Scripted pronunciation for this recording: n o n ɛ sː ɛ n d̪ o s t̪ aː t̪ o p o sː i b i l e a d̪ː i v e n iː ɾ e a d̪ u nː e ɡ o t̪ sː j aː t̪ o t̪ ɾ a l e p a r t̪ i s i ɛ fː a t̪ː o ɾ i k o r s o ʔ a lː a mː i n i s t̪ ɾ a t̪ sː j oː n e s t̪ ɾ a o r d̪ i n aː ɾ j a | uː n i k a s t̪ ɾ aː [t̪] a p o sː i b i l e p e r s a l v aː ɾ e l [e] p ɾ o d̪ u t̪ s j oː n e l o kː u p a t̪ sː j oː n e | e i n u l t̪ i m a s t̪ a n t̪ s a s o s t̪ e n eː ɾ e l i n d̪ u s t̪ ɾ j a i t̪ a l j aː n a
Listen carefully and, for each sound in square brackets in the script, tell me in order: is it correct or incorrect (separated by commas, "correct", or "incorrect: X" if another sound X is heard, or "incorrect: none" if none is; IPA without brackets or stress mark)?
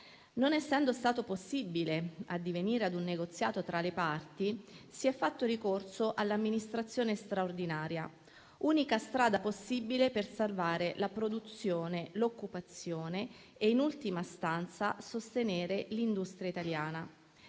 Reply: incorrect: d̪, incorrect: a